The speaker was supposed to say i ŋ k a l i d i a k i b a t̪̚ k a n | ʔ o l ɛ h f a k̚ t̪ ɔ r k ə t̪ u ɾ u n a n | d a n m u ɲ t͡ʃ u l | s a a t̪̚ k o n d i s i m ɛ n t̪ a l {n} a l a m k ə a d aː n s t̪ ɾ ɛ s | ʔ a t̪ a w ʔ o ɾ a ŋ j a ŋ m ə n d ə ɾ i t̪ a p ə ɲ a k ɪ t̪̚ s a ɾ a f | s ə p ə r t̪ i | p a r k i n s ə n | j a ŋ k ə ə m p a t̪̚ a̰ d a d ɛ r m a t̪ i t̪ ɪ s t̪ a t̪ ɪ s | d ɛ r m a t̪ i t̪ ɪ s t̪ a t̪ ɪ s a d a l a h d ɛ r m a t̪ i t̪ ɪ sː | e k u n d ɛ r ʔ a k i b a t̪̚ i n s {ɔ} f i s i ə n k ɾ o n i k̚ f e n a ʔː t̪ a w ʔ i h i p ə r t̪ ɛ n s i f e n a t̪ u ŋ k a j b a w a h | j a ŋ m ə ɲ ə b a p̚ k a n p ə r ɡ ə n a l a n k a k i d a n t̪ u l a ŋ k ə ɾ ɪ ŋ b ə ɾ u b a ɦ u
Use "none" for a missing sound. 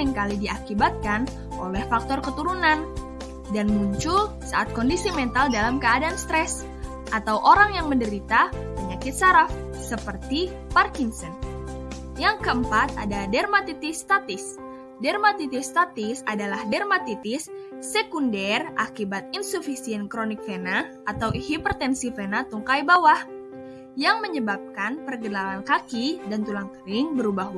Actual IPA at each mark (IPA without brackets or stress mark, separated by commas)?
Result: d, u